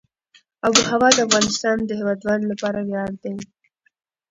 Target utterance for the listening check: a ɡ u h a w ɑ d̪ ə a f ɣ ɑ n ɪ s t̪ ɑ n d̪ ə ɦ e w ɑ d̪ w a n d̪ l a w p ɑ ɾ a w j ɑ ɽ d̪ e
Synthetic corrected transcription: a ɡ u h a w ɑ d̪ ə a f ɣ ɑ n ɪ s t̪ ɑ n d̪ ə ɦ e w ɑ d̪ w a n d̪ l a p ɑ ɾ a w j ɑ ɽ d̪ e